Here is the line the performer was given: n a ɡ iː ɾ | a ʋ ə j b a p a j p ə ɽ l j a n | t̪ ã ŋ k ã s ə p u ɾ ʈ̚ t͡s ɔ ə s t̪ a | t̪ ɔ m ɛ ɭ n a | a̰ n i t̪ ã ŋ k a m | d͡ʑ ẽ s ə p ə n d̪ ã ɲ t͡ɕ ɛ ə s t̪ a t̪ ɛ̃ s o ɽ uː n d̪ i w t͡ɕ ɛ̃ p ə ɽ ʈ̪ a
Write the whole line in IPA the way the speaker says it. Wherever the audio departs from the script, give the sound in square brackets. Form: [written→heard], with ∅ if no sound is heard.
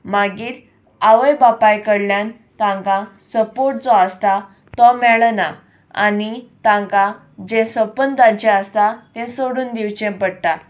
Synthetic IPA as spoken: [n→m] a ɡ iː ɾ | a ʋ ə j b a p a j [p→k] ə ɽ l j a n | t̪ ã ŋ k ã s ə p [u→o] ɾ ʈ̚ t͡s ɔ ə s t̪ a | t̪ ɔ m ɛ ɭ n a | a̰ n i t̪ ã ŋ k a [m→∅] | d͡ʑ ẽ s ə p ə n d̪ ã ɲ t͡ɕ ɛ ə s t̪ a t̪ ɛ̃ s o ɽ uː n d̪ i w t͡ɕ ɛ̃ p ə ɽ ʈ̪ a